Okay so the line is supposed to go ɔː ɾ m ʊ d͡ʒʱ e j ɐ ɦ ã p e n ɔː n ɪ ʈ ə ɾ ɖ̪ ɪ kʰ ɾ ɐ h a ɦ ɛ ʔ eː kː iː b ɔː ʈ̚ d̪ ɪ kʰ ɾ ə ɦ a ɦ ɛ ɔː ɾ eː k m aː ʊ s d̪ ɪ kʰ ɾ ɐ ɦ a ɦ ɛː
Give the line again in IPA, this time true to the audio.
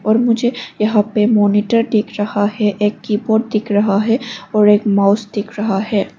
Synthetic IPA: ɔː ɾ m ʊ d͡ʒʱ e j ɐ ɦ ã p e m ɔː n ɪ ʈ ə ɾ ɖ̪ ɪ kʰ ɾ ɐ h a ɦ ɛ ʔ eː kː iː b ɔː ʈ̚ d̪ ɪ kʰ ɾ ɐ ɦ a ɦ ɛ ɔː ɾ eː k m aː ʊ s d̪ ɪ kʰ ɾ ɐ ɦ a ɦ ɛː